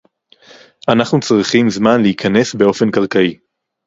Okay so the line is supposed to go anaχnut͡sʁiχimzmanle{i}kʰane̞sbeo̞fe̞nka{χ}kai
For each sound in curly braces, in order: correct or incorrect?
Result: correct, incorrect: ʁ

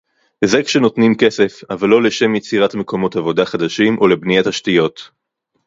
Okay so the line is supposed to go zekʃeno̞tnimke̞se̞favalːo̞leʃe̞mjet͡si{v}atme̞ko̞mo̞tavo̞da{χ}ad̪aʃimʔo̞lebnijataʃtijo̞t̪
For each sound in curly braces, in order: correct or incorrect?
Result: incorrect: ʁ, correct

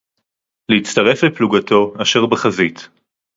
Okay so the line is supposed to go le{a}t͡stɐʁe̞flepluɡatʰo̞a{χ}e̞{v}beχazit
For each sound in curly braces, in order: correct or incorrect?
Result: incorrect: i, incorrect: ʃ, incorrect: ʁ

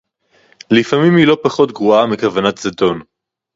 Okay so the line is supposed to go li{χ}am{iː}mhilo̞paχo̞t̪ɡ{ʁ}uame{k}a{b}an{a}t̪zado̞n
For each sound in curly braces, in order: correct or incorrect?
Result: incorrect: f, incorrect: i, correct, correct, incorrect: v, correct

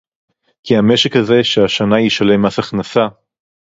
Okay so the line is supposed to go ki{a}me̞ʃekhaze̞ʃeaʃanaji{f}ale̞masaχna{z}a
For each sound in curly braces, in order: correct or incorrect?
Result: correct, incorrect: ʃ, incorrect: s

